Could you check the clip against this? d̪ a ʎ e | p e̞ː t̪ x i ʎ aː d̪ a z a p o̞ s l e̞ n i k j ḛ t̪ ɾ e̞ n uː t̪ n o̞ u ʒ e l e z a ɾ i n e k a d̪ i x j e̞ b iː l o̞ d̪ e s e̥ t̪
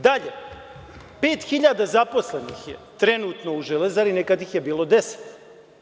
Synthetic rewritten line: d̪ a ʎ e | p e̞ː t̪ x i ʎ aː d̪ a z a p o̞ s l e̞ n i x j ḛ t̪ ɾ e̞ n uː t̪ n o̞ u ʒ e l e z a ɾ i n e k a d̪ i x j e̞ b iː l o̞ d̪ e s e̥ t̪